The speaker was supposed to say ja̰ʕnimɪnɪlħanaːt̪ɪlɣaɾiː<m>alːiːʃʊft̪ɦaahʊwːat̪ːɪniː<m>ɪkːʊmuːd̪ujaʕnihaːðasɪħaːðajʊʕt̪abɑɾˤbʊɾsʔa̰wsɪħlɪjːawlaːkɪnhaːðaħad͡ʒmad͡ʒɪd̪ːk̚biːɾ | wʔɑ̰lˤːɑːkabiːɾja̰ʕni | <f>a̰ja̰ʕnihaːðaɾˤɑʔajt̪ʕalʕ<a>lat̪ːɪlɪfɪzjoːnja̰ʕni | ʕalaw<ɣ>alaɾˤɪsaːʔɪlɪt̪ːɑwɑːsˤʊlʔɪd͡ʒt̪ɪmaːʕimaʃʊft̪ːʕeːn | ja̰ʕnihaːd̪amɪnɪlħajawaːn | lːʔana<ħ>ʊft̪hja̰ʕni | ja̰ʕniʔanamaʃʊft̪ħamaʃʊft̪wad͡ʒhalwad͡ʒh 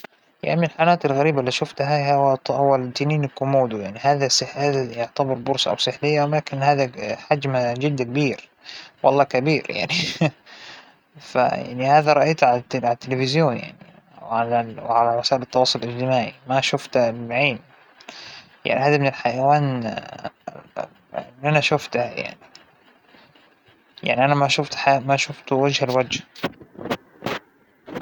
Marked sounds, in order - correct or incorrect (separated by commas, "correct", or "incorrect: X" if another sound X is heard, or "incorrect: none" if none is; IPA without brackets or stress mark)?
incorrect: b, incorrect: n, correct, correct, incorrect: ʕ, incorrect: ʃ